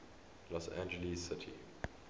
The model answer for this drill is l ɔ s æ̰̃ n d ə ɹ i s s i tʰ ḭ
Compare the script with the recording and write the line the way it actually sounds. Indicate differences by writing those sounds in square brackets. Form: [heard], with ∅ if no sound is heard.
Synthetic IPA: l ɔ s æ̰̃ n [d͡ʒ] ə [l] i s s [ɪ] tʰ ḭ